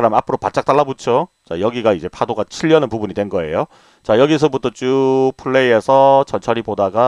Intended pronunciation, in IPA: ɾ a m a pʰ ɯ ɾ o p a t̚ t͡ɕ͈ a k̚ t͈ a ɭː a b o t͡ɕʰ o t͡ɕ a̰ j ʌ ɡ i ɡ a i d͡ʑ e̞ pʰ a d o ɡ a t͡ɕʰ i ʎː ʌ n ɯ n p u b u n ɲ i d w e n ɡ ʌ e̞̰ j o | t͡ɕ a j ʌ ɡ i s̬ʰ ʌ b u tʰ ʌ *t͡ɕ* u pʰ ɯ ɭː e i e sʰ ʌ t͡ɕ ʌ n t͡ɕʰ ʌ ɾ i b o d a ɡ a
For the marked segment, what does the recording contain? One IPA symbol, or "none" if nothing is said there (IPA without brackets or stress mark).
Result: t͡ɕ